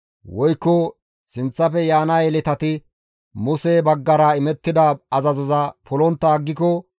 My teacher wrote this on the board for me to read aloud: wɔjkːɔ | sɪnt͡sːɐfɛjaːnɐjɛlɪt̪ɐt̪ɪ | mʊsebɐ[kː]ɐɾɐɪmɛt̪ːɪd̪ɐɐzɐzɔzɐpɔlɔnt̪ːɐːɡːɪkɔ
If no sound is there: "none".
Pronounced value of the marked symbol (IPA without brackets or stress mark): ɡː